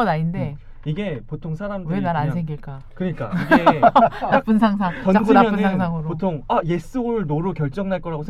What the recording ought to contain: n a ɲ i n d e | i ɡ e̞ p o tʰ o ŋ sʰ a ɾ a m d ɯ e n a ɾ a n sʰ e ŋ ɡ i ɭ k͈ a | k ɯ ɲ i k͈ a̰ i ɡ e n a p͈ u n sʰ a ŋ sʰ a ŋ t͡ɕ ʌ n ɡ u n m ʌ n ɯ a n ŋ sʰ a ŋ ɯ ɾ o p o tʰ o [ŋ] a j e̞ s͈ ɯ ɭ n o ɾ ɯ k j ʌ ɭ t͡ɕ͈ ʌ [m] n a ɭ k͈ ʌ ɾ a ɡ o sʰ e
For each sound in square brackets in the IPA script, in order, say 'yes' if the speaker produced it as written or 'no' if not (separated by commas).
yes, no